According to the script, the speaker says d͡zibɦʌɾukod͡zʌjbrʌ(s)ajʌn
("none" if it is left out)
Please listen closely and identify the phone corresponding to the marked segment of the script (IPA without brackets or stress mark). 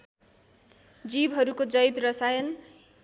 s